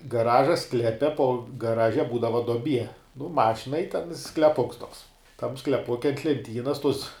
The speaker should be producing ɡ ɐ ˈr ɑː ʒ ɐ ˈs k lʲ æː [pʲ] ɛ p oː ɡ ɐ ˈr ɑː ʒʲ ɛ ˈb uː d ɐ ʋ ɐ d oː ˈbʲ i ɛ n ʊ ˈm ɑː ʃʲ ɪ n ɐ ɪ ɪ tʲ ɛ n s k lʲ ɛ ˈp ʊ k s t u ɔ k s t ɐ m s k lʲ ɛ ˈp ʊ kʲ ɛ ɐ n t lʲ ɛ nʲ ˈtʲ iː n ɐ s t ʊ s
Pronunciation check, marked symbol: correct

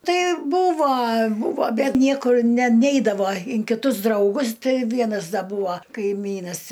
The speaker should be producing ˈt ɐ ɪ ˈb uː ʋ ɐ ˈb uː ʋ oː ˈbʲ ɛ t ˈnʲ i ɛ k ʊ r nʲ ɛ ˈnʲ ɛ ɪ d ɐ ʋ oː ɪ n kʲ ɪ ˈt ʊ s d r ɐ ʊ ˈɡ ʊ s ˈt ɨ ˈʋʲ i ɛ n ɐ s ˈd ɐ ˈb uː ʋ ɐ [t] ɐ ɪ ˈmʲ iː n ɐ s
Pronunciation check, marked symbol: incorrect: k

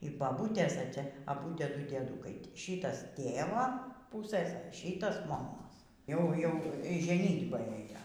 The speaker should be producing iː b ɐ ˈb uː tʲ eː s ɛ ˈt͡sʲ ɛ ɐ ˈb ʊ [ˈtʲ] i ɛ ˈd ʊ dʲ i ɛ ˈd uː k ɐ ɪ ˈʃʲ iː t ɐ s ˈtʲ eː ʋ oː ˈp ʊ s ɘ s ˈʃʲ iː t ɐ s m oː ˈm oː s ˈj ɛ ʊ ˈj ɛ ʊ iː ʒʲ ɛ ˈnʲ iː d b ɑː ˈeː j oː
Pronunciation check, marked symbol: correct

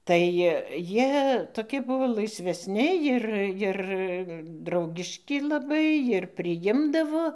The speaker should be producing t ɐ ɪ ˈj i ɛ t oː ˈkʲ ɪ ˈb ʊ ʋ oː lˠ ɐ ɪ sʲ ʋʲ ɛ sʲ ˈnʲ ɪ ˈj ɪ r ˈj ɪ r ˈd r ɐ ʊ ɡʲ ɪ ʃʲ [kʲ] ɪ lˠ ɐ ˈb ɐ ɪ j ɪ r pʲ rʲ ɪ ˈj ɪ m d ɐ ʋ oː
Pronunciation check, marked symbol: correct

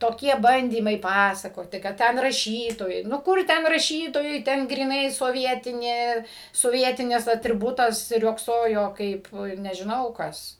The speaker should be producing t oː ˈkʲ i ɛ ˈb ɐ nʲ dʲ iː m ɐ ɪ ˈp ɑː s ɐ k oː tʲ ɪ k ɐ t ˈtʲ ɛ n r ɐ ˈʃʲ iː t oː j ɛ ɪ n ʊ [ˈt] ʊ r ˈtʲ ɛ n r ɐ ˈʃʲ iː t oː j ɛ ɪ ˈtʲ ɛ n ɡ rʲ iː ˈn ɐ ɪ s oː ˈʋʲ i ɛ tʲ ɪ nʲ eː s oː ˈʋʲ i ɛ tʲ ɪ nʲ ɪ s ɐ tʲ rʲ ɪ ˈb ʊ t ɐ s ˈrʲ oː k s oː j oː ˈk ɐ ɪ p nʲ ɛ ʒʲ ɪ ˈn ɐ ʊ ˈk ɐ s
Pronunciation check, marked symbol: incorrect: k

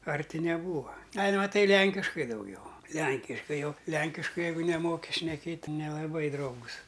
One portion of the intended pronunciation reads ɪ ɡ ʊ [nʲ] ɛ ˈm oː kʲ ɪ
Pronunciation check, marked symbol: correct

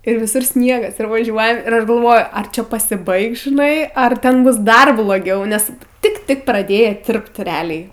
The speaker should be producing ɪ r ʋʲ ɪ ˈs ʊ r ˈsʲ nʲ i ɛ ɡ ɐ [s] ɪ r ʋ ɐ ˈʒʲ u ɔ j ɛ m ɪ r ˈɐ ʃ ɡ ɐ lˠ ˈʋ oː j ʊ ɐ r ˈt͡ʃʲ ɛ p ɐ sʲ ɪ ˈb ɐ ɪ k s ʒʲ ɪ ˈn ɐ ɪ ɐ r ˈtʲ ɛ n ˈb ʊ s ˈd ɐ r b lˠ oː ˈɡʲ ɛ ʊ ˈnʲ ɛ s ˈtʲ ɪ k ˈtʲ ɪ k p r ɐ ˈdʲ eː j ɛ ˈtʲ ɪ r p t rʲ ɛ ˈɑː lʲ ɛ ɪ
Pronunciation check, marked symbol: correct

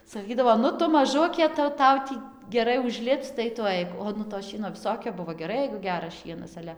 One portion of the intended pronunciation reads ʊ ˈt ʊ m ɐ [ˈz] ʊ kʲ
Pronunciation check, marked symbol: incorrect: ʒ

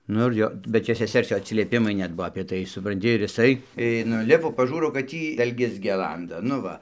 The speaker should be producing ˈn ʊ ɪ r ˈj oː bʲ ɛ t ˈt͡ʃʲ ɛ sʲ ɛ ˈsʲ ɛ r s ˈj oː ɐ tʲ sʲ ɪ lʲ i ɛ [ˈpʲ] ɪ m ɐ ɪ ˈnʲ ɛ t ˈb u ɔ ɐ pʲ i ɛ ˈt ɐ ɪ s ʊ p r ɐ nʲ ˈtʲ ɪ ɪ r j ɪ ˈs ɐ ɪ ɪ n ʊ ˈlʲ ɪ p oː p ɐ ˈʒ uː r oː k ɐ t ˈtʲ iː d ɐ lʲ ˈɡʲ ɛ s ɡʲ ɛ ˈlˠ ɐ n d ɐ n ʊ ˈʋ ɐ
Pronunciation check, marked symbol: correct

